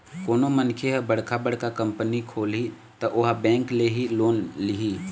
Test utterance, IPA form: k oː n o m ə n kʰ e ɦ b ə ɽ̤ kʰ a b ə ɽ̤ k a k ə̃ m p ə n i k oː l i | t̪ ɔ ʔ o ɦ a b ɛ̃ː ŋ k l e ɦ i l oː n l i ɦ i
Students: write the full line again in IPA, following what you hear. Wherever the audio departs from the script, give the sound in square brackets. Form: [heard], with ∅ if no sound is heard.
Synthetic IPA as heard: k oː n o m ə n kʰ e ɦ b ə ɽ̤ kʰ a b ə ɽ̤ k a k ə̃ m p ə n i [kʰ] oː l i | t̪ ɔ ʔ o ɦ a b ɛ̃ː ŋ k l e ɦ i l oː n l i ɦ i